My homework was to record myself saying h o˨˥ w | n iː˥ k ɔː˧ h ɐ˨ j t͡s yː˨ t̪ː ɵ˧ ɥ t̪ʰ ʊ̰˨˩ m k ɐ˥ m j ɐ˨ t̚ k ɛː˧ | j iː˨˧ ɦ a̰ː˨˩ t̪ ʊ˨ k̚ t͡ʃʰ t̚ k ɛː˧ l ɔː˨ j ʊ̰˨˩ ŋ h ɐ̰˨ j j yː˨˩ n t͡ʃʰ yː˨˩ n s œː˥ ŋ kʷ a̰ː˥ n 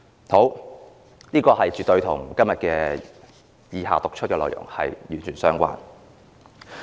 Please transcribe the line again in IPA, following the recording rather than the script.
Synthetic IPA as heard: h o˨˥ w | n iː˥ k ɔː˧ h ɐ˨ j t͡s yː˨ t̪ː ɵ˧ ɥ t̪ʰ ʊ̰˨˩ ŋ k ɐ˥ m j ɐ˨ t̚ k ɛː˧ | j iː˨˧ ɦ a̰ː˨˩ t̪ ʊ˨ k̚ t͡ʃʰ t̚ k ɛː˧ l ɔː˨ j ʊ̰˨˩ ŋ h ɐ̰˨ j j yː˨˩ n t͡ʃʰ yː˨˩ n s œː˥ ŋ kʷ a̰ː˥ n